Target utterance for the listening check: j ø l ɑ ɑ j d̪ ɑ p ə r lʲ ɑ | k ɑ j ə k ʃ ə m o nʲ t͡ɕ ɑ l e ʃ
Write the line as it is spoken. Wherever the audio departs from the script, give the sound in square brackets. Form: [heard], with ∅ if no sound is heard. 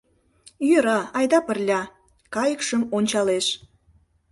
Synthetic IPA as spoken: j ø [ɾ] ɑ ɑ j d̪ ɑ p ə r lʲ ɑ | k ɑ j ə k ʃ ə m o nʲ t͡ɕ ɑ l e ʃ